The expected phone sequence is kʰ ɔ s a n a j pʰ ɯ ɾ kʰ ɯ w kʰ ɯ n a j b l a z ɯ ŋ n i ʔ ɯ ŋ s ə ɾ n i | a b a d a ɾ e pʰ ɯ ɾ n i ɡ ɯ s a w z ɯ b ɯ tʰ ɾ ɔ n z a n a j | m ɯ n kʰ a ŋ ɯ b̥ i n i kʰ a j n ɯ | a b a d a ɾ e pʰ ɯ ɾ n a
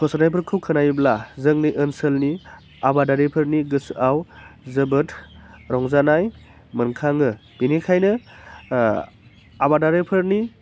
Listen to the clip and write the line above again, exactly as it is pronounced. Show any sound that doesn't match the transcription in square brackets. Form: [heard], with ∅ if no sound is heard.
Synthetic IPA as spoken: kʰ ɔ s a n a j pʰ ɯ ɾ kʰ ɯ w kʰ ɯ n a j b l a z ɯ ŋ n i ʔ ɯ [n] s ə [l] n i | a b a d a ɾ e pʰ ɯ ɾ n i ɡ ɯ s a w z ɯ b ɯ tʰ ɾ ɔ [ŋ] z a n a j | m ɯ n kʰ a ŋ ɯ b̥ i n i kʰ a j n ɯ | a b a d a ɾ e pʰ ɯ ɾ n [i]